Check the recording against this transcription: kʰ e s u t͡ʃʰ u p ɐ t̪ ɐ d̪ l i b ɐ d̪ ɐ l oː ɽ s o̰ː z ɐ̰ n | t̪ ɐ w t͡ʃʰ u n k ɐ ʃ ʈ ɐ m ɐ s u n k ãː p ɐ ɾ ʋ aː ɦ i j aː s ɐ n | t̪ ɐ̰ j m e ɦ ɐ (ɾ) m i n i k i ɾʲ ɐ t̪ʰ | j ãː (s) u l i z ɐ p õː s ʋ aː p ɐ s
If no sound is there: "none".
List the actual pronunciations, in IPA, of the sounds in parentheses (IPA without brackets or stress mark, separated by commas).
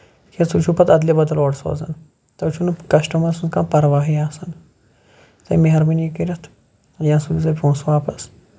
ɾ, s